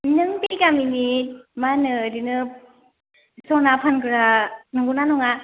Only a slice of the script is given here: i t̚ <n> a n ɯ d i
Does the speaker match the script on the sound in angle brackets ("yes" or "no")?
no